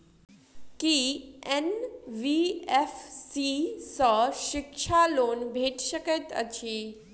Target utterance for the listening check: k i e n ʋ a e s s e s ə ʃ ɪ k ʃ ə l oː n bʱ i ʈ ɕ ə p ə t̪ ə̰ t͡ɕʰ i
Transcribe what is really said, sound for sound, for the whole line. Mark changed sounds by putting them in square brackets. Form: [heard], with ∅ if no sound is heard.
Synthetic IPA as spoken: k i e n ʋ [i] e [f] s [i] s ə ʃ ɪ k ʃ [a] l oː n bʱ [e] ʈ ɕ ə [k] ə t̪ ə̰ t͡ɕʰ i

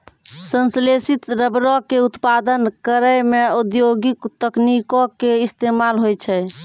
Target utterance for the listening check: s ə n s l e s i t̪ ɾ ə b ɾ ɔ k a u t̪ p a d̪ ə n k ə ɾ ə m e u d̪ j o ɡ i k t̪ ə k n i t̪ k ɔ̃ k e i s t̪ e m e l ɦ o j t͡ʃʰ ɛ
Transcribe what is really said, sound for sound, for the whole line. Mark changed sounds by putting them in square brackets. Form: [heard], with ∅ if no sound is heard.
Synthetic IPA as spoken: s ə n s l e s i t̪ ɾ ə b ɾ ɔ k [e] u t̪ p a d̪ ə n k ə ɾ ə m e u d̪ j o ɡ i k t̪ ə k n i [∅] k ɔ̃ k e i s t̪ e m [a] l ɦ o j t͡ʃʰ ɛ

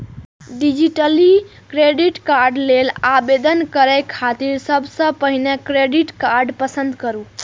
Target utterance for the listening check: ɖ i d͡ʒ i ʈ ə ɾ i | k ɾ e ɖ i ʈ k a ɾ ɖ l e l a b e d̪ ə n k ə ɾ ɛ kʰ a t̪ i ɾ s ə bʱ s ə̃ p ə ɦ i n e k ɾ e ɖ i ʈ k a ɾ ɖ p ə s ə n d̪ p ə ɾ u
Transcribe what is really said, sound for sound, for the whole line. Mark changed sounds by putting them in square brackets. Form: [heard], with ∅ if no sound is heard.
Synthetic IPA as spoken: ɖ i d͡ʒ i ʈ ə [l] i | k ɾ e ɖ i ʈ k a ɾ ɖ l e l a b e d̪ ə n k ə ɾ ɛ kʰ a t̪ i ɾ s ə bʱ s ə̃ p ə ɦ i n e k ɾ e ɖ i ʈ k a ɾ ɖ p ə s ə n d̪ [k] ə ɾ u

